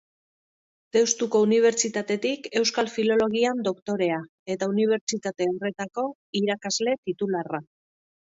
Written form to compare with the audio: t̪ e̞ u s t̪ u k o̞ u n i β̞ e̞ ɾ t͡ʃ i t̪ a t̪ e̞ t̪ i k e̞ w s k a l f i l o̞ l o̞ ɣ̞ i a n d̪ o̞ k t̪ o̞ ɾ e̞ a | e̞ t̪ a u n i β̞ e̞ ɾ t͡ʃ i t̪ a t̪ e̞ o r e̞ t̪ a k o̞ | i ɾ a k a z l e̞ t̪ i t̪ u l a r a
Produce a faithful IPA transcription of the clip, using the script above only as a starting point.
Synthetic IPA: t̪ e̞ w s t̪ u k o̞ u n i β̞ e̞ ɾ t͡ʃ i t̪ a t̪ e̞ t̪ i k e̞ w s k a l f i l o̞ l o̞ ɣ̞ i a n d̪ o̞ k t̪ o̞ ɾ e̞ a | e̞ t̪ a u n i β̞ e̞ ɾ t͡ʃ i t̪ a t̪ e̞ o r e̞ t̪ a k o̞ | i ɾ a k a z l e̞ t̪ i t̪ u l a r a